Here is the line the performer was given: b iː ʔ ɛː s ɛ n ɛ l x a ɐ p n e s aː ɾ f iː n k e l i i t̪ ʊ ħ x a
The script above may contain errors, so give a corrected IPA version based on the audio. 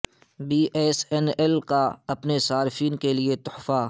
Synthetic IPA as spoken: b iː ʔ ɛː s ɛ n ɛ l k a ɐ p n e s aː ɾ f iː n k e l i e t̪ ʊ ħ f a

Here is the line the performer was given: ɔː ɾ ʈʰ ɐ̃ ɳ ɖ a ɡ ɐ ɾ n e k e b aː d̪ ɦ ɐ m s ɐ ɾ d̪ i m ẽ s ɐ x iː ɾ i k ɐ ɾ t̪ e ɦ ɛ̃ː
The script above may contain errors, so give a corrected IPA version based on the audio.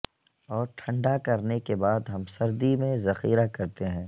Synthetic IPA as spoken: ɔː ɾ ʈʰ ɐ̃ ɳ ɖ a k ɐ ɾ n e k e b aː d̪ ɦ ɐ m s ɐ ɾ d̪ i m ẽ z ɐ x iː ɾ a k ɐ ɾ t̪ e ɦ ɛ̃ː

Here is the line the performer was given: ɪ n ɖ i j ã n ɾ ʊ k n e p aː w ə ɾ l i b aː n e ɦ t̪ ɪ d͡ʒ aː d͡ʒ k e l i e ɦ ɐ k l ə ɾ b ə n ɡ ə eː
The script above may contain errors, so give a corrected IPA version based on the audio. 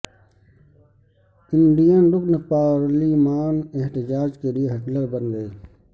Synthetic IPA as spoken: ɪ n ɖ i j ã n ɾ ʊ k n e p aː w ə ɾ l i m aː n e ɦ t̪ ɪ d͡ʒ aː d͡ʒ k e l i e ɦ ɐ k l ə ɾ b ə n ɡ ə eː

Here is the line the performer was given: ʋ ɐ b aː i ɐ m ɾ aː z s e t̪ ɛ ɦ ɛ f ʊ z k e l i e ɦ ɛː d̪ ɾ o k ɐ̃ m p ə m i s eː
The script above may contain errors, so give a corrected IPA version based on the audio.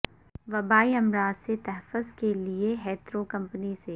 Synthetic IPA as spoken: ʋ ɐ b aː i ɐ m ɾ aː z s e t̪ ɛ ɦ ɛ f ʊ z k e l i e ɦ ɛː t̪ ɾ o k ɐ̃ m p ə n i s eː

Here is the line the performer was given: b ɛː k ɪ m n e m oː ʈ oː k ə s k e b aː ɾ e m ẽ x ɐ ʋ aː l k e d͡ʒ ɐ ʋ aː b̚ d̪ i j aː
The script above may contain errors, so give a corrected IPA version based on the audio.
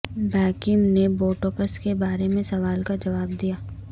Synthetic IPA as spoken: b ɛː k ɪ m n e b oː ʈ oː k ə s k e b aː ɾ e m ẽ s ɐ ʋ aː l k a d͡ʒ ɐ ʋ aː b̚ d̪ i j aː

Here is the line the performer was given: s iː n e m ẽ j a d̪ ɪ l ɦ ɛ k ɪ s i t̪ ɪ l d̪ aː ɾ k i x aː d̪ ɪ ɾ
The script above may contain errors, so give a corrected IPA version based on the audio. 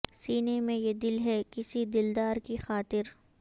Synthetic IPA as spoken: s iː n e m ẽ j e d̪ ɪ l ɦ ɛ k ɪ s i d̪ ɪ l d̪ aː ɾ k i x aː t̪ ɪ ɾ

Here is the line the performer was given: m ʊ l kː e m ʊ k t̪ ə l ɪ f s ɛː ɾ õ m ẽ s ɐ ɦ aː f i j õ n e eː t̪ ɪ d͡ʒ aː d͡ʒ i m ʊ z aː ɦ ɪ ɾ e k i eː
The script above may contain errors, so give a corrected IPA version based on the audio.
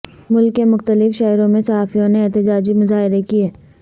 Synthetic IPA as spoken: m ʊ l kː e m ʊ x t̪ ə l ɪ f ʃ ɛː ɾ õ m ẽ s ɐ ɦ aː f i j õ n e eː t̪ ɪ d͡ʒ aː d͡ʒ i m ʊ z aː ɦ ɪ ɾ e k i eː

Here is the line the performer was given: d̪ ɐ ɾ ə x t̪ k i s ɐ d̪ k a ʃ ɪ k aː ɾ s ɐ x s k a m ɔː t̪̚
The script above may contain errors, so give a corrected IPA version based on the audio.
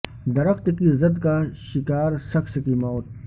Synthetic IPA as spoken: d̪ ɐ ɾ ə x t̪ k i z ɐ d̪ k a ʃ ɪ k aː ɾ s ɐ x s k i m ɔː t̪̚

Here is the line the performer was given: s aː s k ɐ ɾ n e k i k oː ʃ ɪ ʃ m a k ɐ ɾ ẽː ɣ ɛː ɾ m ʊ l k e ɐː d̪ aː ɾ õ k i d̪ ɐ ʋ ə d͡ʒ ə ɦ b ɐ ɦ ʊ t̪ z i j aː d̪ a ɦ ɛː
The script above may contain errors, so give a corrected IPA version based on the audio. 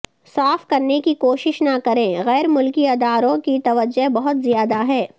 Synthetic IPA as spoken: s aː f k ɐ ɾ n e k i k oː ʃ ɪ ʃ n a k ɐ ɾ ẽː ɣ ɛː ɾ m ʊ l k i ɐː d̪ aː ɾ õ k i t̪ ɐ ʋ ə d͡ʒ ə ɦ b ɐ ɦ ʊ t̪ z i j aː d̪ a ɦ ɛː

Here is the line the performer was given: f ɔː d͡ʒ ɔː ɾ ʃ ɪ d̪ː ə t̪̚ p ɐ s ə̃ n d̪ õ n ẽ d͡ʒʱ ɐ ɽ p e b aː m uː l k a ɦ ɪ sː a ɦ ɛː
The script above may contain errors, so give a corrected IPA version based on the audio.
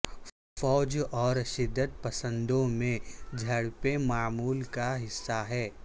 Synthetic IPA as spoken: f ɔː d͡ʒ ɔː ɾ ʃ ɪ d̪ː ə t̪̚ p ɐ s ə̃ n d̪ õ m ẽ d͡ʒʱ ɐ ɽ p e m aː m uː l k a ɦ ɪ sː a ɦ ɛː

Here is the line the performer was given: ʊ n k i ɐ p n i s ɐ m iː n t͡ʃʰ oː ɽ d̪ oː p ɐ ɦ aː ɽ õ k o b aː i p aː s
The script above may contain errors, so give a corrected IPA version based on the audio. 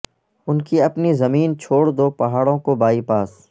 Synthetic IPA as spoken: ʊ n k i ɐ p n i z ɐ m iː n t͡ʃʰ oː ɽ d̪ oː p ɐ ɦ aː ɽ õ k o b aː i p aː s

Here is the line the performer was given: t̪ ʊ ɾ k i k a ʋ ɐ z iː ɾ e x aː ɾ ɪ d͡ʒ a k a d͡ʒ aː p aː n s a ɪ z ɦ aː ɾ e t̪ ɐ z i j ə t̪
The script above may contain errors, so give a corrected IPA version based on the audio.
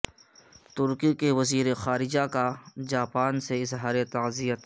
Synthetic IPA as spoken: t̪ ʊ ɾ k i k e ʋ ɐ z iː ɾ e x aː ɾ ɪ d͡ʒ a k a d͡ʒ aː p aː n s e ɪ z ɦ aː ɾ e t̪ ɐ z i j ə t̪

